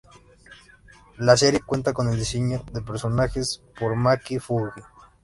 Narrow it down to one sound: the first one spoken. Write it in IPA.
l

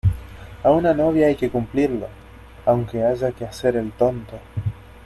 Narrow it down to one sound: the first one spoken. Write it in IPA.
a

